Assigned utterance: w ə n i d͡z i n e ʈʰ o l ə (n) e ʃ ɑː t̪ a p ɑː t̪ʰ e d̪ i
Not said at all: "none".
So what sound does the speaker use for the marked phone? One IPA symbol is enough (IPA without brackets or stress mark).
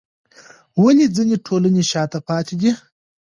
n